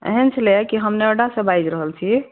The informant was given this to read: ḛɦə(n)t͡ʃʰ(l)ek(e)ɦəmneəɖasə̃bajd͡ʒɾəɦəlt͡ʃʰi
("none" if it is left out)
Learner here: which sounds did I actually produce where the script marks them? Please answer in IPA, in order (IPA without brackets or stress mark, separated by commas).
n, l, i